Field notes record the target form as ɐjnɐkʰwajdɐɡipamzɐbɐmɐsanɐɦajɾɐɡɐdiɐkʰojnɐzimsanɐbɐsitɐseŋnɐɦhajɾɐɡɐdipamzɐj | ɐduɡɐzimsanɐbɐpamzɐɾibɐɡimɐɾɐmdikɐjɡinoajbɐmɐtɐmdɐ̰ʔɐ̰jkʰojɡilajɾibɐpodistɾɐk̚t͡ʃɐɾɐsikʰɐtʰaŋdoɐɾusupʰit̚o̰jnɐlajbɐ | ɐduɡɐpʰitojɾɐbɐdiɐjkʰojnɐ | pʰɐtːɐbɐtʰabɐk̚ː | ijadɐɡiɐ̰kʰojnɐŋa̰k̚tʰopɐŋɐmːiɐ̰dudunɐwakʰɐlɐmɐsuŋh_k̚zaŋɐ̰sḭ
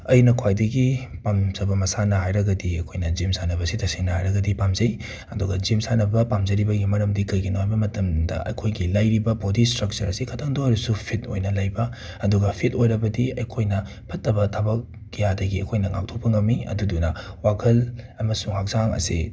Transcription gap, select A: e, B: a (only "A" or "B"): B